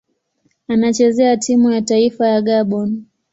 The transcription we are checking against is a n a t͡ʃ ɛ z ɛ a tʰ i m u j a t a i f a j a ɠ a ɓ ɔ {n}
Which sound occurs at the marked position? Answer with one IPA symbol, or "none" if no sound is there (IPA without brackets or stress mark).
n